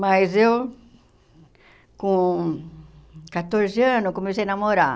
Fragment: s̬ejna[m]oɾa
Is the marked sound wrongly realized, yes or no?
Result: no